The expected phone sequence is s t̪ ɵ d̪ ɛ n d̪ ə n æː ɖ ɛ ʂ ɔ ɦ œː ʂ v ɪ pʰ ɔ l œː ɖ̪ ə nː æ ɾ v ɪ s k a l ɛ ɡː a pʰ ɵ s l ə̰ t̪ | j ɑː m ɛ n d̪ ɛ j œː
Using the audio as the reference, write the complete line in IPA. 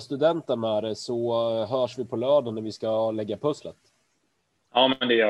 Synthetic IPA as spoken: s t̪ ɵ d̪ ɛ n t̪ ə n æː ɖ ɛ s ɔ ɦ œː ʂ v ɪ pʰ ɔ l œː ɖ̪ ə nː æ ɾ v ɪ s k a l ɛ ɡː a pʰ ɵ s l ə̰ t̪ | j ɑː m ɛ n d̪ ɛ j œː